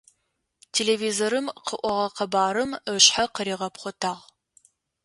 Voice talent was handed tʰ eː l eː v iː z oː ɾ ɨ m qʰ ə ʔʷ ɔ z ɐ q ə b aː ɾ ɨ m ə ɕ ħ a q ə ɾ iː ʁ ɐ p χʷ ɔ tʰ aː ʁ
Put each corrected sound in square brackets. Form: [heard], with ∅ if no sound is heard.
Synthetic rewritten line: tʰ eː l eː v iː z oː ɾ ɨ m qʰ ə ʔʷ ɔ [ʁ] ɐ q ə b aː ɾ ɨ m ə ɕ ħ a q ə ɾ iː ʁ ɐ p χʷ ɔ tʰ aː ʁ